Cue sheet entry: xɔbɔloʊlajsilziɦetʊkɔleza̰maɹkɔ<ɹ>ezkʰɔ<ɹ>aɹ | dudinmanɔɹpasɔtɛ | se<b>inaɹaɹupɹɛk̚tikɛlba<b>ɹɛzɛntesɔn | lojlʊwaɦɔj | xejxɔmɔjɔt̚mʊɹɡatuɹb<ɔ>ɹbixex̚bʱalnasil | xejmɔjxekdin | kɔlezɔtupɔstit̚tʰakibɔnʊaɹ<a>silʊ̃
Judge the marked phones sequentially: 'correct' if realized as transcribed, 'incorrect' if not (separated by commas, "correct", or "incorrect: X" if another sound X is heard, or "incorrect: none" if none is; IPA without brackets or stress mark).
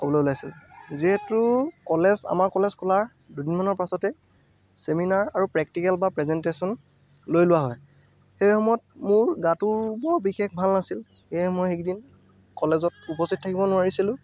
incorrect: l, incorrect: l, incorrect: m, incorrect: p, correct, incorrect: i